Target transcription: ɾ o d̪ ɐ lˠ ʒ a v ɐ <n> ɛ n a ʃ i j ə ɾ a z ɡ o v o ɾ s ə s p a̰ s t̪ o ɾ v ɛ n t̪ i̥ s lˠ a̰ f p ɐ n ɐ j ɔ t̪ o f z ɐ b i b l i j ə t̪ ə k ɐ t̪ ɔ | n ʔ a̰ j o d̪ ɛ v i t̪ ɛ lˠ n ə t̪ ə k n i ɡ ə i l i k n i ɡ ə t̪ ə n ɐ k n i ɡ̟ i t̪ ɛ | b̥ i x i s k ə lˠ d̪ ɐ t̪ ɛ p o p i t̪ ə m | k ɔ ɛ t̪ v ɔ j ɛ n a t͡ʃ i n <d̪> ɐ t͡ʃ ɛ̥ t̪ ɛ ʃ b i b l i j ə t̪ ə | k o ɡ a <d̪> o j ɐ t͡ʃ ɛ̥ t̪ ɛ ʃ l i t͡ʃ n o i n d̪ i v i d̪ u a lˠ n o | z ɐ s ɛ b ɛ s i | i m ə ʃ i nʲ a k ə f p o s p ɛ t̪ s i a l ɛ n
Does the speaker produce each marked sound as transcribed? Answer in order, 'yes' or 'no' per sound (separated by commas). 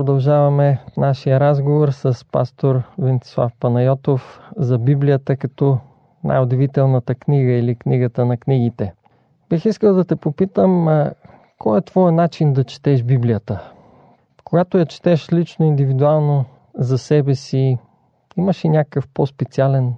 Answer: no, yes, no